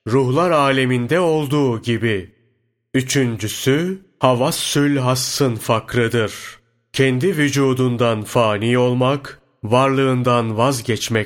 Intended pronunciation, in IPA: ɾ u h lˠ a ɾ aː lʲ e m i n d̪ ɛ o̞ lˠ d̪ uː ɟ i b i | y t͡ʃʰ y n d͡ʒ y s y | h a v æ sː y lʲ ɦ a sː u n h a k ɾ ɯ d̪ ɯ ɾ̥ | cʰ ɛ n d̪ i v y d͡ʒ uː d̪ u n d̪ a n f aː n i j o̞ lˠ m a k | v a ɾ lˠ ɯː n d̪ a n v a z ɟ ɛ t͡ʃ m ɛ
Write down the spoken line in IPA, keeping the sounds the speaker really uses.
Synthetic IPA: ɾ u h lˠ a ɾ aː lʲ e m i n d̪ ɛ o̞ lˠ d̪ uː ɟ i b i | y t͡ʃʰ y n d͡ʒ y s y | h a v a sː y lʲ ɦ a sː ɯ n f a k ɾ ɯ d̪ ɯ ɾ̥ | cʰ ɛ n d̪ i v y d͡ʒ uː d̪ u n d̪ a n f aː n i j o̞ lˠ m a k | v a ɾ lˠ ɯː n d̪ a n v a z ɟ ɛ t͡ʃ m ɛ